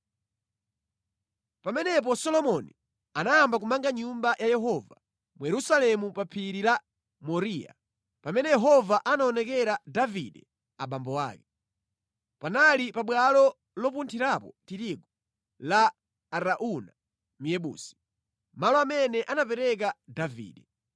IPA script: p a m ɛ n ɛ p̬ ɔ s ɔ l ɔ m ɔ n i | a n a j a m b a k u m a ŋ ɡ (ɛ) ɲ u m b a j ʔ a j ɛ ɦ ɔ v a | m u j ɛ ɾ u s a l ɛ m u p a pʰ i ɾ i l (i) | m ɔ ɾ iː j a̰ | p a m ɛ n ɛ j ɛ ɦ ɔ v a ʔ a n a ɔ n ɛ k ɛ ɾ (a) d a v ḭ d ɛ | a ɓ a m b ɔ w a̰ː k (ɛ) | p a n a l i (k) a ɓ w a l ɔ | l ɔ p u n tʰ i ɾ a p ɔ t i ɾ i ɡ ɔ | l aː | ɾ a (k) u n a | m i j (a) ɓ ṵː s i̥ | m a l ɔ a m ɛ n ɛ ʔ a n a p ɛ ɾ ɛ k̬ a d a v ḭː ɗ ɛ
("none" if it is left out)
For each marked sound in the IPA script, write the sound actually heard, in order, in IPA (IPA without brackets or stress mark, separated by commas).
a, a, a, ɛ, p, ʔ, ɛ